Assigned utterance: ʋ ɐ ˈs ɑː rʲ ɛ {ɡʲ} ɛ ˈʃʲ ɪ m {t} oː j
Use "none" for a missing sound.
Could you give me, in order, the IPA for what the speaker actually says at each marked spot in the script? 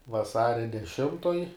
dʲ, t

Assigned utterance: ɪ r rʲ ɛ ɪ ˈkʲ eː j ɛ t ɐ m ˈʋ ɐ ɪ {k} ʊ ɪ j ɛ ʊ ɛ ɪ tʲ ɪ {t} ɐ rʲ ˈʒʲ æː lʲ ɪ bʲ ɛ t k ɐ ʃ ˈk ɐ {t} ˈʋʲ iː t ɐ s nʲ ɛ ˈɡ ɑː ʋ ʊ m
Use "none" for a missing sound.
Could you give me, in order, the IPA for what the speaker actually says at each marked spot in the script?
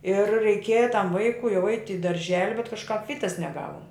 k, d, p

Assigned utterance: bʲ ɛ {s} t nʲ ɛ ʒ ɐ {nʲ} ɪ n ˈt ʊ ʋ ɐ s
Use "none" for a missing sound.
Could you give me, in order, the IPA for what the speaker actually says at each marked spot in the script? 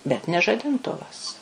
none, dʲ

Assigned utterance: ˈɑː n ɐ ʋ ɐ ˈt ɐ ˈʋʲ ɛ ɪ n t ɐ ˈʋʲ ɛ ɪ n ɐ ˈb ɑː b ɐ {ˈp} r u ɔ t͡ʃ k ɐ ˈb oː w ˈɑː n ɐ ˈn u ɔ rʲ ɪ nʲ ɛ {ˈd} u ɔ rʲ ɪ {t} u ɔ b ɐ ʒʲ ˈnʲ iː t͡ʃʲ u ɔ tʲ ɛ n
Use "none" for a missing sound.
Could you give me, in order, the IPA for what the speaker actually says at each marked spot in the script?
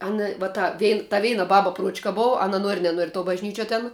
p, n, t

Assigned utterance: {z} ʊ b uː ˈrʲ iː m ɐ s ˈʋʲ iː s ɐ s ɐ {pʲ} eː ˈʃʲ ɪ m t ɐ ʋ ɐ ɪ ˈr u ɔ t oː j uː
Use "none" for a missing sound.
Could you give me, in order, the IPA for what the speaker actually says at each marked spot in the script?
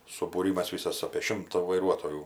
s, pʲ

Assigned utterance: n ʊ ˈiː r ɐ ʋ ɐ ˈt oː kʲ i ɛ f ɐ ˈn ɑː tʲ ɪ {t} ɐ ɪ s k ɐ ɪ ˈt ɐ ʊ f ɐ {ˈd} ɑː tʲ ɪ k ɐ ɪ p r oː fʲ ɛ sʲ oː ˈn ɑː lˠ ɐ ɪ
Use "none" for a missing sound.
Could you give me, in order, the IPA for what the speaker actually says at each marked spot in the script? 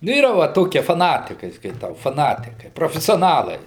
k, n

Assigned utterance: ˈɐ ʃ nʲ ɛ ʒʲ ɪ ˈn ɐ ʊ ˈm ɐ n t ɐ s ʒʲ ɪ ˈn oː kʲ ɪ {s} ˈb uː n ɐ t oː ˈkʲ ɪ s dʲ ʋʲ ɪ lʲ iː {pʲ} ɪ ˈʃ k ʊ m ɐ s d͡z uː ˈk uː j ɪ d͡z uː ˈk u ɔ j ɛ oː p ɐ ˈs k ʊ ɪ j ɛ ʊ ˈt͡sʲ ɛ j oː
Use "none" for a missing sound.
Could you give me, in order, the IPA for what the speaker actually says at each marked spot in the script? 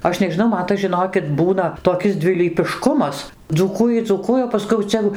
t, pʲ

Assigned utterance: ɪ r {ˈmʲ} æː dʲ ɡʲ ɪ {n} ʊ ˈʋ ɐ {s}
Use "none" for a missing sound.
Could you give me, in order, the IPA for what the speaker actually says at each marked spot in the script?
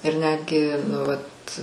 nʲ, n, t

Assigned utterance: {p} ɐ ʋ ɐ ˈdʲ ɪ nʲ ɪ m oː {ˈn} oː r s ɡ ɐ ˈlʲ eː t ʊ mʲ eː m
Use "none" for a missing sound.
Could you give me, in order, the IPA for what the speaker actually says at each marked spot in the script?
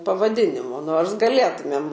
p, n

